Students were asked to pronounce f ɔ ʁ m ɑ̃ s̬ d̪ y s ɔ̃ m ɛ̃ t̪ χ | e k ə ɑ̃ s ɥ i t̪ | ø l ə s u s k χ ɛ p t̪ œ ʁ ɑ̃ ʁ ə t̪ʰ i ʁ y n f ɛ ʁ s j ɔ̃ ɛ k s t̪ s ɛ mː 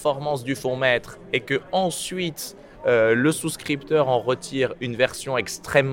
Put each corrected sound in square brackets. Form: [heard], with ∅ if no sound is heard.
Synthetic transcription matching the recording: f ɔ ʁ m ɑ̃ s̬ d̪ y [f] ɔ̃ m [ɛ] t̪ χ | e k ə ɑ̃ s ɥ i t̪ | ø l ə s u s k χ [i] p t̪ œ ʁ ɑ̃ ʁ ə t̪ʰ i ʁ y n [v] ɛ ʁ s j ɔ̃ ɛ k s t̪ [χ] ɛ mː